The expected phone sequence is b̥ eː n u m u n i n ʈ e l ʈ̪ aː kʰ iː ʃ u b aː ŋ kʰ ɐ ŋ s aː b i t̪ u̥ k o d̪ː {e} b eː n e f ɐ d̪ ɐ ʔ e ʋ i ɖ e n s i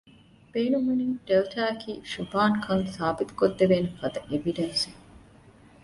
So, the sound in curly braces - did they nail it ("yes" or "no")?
yes